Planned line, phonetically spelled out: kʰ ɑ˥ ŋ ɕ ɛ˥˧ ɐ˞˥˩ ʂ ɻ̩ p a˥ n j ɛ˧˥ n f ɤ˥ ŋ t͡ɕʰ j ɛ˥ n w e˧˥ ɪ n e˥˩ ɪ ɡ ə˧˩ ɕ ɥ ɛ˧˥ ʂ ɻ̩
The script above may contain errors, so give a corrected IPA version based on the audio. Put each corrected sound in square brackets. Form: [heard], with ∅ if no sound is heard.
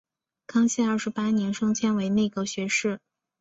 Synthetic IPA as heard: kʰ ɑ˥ ŋ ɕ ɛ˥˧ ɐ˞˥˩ ʂ ɻ̩ p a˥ n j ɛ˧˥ n [ʂ] ɤ˥ ŋ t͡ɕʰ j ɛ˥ n w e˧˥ ɪ n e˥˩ ɪ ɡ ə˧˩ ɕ ɥ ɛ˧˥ ʂ ɻ̩